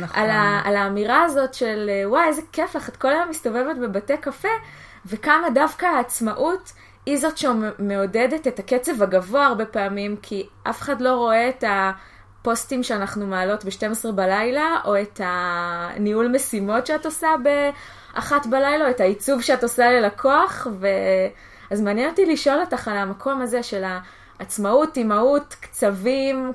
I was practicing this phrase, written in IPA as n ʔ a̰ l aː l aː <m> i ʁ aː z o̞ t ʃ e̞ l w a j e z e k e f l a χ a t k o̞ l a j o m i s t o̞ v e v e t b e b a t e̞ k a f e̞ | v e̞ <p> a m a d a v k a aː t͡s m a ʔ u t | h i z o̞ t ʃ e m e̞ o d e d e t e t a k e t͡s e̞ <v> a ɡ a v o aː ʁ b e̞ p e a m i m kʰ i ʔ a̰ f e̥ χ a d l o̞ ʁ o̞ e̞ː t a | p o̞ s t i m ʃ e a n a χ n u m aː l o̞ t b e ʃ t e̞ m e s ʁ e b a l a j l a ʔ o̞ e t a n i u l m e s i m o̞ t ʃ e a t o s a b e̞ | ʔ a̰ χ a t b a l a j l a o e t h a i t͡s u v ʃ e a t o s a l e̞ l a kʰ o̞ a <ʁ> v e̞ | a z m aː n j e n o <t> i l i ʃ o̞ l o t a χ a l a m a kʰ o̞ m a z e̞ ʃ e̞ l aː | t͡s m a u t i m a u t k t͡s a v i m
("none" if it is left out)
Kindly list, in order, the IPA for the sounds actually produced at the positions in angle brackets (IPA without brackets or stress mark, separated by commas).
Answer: m, k, v, χ, t